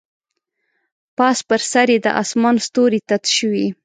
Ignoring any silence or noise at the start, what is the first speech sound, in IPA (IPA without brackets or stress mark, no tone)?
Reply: p